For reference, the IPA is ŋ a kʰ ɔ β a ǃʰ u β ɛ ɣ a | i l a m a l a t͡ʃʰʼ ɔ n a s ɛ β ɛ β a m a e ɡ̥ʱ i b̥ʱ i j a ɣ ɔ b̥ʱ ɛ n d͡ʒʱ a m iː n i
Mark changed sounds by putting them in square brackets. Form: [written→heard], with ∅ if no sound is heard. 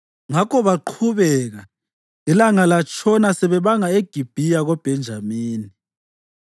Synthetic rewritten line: ŋ a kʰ ɔ β a ǃʰ u β ɛ ɣ a | i l a [m→ŋ] a l a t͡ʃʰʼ ɔ n a s ɛ β ɛ β a [m→ŋ] a e ɡ̥ʱ i b̥ʱ i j a ɣ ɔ b̥ʱ ɛ n d͡ʒʱ a m iː n i

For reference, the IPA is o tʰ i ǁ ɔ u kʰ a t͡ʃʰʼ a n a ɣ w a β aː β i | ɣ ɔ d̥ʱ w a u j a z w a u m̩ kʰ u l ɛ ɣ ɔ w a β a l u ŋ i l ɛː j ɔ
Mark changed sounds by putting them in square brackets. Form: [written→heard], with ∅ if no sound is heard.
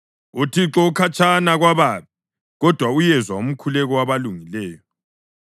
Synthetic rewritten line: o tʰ i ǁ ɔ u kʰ a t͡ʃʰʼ a n a ɣ w a β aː β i | ɣ ɔ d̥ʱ w a u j [a→ɛ] z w a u m̩ kʰ u l ɛ ɣ ɔ w a β a l u ŋ i l ɛː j ɔ

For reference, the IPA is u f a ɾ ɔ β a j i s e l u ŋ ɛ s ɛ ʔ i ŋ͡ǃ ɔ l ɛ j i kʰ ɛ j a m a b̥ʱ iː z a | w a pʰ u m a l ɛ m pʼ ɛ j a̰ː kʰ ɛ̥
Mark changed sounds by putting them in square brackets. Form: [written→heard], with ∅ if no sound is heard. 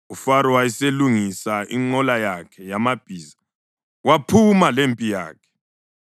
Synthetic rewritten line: u f a ɾ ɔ [β→w] a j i s e l u ŋ [ɛ→i] s [ɛ→a] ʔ i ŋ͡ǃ ɔ l [ɛ→a] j [i→a] kʰ ɛ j a m a b̥ʱ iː z a | w a pʰ u m a l [ɛ→e] m pʼ [ɛ→i] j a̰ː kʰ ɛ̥

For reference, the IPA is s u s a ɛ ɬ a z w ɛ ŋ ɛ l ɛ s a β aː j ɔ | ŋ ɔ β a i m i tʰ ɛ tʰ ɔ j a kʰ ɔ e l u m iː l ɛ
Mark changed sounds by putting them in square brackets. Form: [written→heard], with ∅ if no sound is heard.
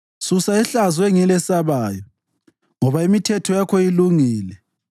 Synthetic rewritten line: s u s a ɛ ɬ a z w ɛ ŋ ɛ l ɛ s a β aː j ɔ | ŋ ɔ β a i m i tʰ ɛ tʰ ɔ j a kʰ ɔ [e→i] l u [m→ŋ] iː l ɛ

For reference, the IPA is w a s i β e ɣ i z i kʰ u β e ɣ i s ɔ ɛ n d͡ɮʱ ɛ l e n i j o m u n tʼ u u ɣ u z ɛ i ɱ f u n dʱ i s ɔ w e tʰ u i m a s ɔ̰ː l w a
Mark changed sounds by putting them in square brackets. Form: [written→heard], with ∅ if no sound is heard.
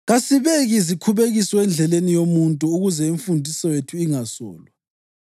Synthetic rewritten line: [w→ɣ] a s i β e ɣ i z i kʰ u β e ɣ i s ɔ ɛ n d͡ɮʱ ɛ l e n i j o m u n tʼ u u ɣ u z ɛ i ɱ f u n dʱ i s ɔ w e tʰ u i [m→ŋ] a s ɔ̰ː l w a

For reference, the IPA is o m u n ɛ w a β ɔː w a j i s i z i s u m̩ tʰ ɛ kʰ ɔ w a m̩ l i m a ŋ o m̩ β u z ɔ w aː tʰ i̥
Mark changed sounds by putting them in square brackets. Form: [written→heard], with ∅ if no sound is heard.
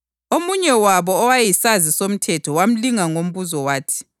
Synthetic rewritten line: o m u [n→ɲ] ɛ w a β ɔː w a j i s [i→a] z i s [u→o] m̩ tʰ ɛ [kʰ→tʰ] ɔ w a m̩ l i [m→ŋ] a ŋ o m̩ β u z ɔ w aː tʰ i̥

